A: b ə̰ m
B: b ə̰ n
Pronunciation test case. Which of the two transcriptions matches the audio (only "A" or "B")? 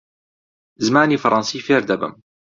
A